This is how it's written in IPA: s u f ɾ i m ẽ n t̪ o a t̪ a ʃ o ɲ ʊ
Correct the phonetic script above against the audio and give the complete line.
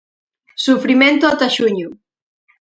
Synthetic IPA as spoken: s u f ɾ i m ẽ n t̪ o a t̪ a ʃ u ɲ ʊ